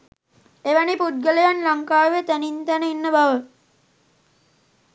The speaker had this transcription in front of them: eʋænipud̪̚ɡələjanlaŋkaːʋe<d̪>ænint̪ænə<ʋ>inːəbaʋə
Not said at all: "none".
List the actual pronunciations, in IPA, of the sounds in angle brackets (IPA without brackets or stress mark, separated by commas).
t̪, none